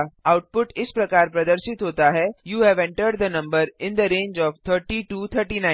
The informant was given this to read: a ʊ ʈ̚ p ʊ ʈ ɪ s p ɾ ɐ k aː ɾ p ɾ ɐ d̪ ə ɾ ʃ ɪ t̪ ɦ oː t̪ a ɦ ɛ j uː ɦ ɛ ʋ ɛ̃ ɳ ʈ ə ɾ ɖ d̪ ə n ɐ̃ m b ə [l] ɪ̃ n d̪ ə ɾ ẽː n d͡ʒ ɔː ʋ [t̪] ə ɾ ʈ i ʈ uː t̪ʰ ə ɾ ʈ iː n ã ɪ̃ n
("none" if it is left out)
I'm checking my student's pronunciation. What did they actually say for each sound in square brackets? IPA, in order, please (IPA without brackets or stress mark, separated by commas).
ɾ, t̪ʰ